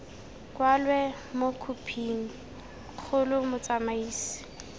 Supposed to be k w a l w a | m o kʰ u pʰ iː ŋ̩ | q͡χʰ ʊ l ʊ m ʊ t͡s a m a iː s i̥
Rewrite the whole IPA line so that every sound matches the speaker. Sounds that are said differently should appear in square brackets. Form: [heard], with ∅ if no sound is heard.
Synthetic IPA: k w a l w [ɛ] | m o kʰ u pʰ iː ŋ̩ | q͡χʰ ʊ l ʊ m ʊ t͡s a m a iː s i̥